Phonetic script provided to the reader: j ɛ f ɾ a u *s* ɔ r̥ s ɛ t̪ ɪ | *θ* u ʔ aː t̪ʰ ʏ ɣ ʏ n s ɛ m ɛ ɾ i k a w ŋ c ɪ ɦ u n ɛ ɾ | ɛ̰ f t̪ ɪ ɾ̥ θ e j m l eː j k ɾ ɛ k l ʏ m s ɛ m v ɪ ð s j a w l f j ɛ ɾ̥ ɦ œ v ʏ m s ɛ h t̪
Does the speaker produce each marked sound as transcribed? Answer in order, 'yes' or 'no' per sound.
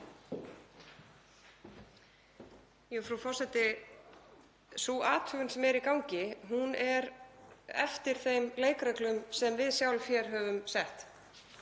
no, no

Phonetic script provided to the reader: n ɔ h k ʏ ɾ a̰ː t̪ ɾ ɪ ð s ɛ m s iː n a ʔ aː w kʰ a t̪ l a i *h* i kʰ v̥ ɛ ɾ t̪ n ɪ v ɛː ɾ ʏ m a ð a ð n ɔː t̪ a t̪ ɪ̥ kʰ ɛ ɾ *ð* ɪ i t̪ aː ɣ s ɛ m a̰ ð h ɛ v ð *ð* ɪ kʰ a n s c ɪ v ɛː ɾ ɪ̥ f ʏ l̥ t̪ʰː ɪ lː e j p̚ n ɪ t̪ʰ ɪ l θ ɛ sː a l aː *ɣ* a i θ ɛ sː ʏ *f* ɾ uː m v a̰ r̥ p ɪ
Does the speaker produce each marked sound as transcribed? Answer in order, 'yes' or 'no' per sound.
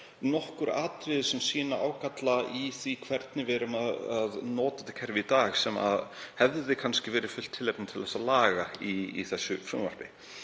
no, no, yes, yes, yes

